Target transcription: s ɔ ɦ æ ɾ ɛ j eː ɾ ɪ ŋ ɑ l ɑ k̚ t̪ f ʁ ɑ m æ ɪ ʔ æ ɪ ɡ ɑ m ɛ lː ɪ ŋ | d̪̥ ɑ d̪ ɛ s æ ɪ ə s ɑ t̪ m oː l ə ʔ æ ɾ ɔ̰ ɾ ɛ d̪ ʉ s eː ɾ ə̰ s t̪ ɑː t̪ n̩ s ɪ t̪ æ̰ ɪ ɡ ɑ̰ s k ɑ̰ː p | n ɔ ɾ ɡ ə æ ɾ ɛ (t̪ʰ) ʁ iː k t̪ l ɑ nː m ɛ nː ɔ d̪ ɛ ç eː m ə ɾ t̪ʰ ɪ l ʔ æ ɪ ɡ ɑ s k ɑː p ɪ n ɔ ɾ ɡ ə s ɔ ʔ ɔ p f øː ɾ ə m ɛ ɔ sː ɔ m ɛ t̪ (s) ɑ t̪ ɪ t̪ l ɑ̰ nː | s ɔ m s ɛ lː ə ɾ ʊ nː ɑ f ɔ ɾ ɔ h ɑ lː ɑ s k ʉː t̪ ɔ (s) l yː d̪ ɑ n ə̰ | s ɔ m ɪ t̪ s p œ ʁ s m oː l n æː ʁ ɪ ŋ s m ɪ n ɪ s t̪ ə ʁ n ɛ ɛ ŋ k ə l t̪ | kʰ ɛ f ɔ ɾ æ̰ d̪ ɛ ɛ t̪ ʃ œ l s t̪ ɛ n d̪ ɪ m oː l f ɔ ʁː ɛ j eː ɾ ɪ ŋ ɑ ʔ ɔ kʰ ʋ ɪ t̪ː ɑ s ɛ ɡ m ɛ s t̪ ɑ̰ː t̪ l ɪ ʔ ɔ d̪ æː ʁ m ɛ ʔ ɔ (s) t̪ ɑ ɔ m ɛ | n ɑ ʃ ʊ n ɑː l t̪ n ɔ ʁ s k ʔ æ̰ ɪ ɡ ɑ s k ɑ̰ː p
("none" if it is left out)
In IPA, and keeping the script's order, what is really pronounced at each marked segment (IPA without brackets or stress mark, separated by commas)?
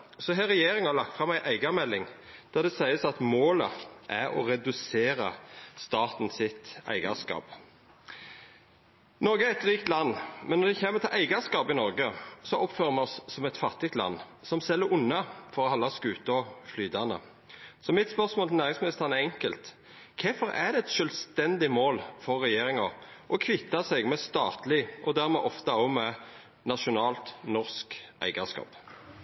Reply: t̪, f, f, f